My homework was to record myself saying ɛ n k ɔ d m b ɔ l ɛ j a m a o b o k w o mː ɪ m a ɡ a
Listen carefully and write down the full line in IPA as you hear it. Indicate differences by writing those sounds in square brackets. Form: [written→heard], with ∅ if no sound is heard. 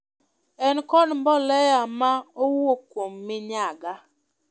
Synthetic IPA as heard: ɛ n k ɔ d m b ɔ l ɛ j a m a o [b→w] o k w o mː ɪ [m→ɲ] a ɡ a